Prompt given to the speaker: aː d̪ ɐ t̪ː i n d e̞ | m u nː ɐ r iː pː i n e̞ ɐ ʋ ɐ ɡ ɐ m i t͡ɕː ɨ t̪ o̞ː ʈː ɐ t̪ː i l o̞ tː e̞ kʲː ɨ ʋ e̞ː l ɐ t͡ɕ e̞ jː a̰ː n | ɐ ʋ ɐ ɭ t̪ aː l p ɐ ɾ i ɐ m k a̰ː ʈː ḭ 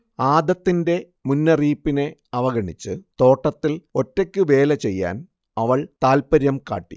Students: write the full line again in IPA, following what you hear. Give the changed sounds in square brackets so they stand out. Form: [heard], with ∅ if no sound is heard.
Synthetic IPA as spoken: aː d̪ ɐ t̪ː i n d e̞ | m u nː ɐ r iː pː i n e̞ ɐ ʋ ɐ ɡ ɐ [ɳ] i t͡ɕː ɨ t̪ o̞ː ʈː ɐ t̪ː i l o̞ tː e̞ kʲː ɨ ʋ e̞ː l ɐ t͡ɕ e̞ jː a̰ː n | ɐ ʋ ɐ ɭ t̪ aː l p ɐ ɾ [j] ɐ m k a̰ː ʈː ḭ